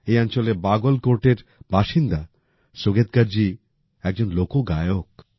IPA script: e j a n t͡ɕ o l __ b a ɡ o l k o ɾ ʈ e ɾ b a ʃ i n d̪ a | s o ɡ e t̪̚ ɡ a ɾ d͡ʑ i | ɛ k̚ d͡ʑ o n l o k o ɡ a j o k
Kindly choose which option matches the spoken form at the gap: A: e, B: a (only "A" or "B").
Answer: A